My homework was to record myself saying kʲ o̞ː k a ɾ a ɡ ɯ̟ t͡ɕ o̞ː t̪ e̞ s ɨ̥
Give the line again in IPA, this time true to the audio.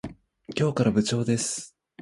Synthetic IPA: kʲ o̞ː k a ɾ a b ɯ̟ t͡ɕ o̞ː d̪ e̞ s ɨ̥